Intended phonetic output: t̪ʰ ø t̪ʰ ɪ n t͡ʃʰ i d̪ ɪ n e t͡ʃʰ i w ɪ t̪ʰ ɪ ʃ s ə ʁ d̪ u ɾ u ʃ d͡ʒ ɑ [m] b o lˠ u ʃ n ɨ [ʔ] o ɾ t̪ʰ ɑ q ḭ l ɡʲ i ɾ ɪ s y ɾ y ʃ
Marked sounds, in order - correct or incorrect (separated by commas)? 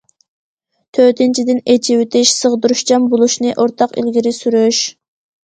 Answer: correct, correct